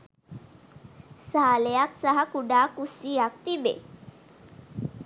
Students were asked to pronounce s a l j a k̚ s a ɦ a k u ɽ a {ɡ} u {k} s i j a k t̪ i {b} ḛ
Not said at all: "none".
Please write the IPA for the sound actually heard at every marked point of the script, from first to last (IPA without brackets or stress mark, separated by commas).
k, none, b